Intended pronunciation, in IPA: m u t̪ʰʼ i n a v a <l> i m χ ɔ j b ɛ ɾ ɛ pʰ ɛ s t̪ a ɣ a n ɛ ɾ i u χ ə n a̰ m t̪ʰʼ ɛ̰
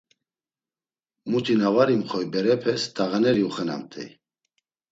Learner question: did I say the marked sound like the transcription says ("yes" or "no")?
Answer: no